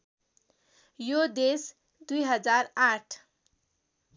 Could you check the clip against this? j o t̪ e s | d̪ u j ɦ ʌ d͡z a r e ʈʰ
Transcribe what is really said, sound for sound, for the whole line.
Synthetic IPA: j o d̪ e s | d̪ u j ɦ ʌ d͡z a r a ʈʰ